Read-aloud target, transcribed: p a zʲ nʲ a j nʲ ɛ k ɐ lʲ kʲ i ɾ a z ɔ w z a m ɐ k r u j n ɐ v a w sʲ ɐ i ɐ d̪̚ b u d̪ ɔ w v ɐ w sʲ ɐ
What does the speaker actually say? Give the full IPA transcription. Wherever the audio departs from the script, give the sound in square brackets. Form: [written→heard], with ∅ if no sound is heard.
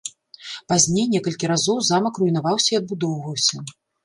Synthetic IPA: p a zʲ nʲ [a→e] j nʲ ɛ k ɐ lʲ kʲ i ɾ a z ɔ w z a m ɐ k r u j n [ɐ→a] v a w sʲ ɐ i ɐ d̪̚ b u d̪ ɔ w v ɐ w sʲ ɐ